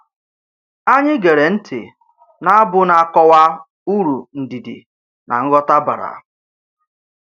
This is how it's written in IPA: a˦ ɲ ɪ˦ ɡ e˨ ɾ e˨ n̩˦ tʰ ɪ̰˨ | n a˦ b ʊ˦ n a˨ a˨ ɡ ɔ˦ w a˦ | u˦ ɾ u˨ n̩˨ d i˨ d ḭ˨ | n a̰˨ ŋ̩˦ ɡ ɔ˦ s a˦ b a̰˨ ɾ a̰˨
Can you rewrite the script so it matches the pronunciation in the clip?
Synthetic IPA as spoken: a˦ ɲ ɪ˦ ɡ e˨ ɾ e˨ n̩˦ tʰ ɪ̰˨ | n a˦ b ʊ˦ n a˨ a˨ k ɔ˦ w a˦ | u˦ ɾ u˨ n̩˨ d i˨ d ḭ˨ | n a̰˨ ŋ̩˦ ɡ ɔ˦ t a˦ b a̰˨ ɾ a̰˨